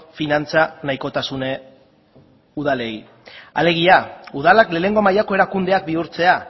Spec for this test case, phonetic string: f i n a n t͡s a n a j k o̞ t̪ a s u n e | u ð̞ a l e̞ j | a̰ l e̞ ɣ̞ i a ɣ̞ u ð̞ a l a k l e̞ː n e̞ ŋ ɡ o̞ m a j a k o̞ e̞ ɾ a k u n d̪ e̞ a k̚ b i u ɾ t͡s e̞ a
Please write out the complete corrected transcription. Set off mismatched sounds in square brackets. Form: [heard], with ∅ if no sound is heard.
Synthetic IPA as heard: f i n a n t͡s a n a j k o̞ t̪ a s u n e | u ð̞ a l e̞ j | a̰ l e̞ ɣ̞ i a [∅] u ð̞ a l a k l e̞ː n e̞ ŋ ɡ o̞ m a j a k o̞ e̞ ɾ a k u n d̪ e̞ a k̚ b i u ɾ t͡s e̞ a